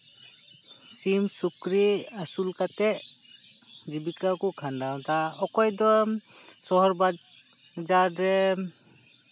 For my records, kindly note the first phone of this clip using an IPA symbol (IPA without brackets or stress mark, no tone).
s